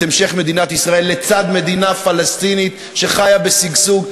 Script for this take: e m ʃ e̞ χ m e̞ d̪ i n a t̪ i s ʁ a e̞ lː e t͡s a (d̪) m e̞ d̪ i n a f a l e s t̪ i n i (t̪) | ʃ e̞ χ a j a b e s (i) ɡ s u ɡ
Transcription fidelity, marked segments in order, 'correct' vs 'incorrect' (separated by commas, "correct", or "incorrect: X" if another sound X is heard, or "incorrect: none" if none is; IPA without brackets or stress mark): correct, correct, correct